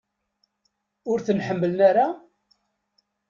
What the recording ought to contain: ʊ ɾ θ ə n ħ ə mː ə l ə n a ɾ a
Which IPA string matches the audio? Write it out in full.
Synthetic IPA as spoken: ʊ ɾ θ ə n ħ ə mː ə l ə n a ɾ a